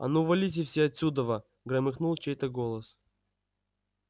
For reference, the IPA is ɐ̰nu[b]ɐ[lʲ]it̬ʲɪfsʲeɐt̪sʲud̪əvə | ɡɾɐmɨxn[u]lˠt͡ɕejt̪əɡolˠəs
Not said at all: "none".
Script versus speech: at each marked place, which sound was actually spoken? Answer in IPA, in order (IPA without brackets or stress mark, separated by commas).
v, lʲ, u